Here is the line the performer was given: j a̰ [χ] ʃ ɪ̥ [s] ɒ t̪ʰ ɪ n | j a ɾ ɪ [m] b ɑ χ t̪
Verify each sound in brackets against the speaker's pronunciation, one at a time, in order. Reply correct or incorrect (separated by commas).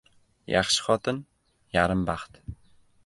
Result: correct, incorrect, correct